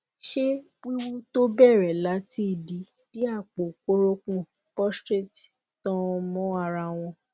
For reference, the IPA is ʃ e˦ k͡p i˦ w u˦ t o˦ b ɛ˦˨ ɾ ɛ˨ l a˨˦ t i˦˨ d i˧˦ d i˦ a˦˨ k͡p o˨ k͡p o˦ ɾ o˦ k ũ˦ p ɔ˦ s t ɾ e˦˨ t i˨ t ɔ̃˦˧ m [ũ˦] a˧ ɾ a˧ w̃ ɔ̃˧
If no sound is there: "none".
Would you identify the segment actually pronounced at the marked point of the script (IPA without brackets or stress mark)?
ɔ̃˦